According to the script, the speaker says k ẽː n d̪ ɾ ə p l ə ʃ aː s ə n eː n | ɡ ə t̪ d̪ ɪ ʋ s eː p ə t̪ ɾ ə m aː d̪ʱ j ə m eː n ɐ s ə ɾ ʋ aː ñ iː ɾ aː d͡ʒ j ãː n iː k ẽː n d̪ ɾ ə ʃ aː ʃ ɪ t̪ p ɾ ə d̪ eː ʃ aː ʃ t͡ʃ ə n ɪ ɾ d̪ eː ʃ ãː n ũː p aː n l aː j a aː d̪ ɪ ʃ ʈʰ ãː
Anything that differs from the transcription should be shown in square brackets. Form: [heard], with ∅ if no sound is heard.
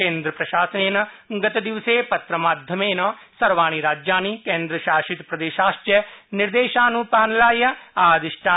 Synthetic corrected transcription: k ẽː n d̪ ɾ ə p [ɾ] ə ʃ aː s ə n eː n | ɡ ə t̪ d̪ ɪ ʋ s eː p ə t̪ ɾ ə m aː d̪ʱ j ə m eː n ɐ s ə ɾ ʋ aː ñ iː ɾ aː d͡ʒ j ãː n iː k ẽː n d̪ ɾ ə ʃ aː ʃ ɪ t̪ p ɾ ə d̪ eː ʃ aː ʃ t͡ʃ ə n ɪ ɾ d̪ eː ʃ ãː n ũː p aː n l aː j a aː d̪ ɪ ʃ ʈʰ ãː